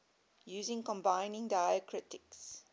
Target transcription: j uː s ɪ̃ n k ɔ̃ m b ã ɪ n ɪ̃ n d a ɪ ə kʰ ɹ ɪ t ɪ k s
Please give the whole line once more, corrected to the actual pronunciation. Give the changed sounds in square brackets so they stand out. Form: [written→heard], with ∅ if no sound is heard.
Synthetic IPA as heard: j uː [s→z] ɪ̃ [n→ŋ] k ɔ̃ m b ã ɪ n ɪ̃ [n→ŋ] d a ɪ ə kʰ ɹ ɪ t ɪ k s